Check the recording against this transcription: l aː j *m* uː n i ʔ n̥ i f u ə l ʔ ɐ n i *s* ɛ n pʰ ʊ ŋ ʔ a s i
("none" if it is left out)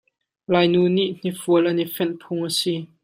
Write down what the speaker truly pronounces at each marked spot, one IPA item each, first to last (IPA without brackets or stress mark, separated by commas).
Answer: n, f